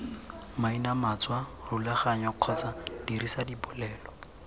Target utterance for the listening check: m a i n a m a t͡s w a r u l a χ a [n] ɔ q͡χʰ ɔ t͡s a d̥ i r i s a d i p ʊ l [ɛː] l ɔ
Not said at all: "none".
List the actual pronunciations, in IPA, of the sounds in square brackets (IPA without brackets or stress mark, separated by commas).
ɲ, ɛː